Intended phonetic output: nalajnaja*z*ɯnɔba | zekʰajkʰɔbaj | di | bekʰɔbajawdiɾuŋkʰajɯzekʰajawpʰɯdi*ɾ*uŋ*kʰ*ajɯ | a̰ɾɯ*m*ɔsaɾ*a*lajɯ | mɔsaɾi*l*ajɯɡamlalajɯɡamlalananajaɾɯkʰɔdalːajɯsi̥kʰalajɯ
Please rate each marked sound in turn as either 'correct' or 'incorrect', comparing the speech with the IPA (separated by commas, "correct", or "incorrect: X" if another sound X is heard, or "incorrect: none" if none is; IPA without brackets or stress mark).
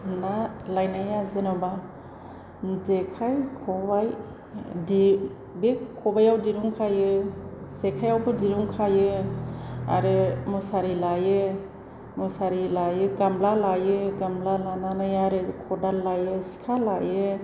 correct, correct, correct, correct, incorrect: i, correct